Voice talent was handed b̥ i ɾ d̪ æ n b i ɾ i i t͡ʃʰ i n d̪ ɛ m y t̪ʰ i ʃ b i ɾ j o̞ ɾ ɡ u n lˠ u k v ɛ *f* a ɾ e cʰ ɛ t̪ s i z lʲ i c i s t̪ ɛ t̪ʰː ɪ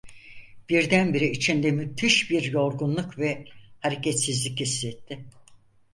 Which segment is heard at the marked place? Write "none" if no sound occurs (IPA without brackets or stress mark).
h